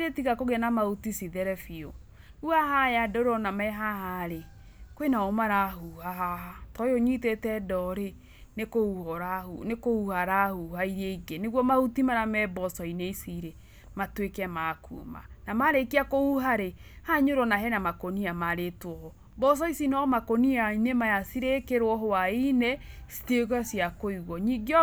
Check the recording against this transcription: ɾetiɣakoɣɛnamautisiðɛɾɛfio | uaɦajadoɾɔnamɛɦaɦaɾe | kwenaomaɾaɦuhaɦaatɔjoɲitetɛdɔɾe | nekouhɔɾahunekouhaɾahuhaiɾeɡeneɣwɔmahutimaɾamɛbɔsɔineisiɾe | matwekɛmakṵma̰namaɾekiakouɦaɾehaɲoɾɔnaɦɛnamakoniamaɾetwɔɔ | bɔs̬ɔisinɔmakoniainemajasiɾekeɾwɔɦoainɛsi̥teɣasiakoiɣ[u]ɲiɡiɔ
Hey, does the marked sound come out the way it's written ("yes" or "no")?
no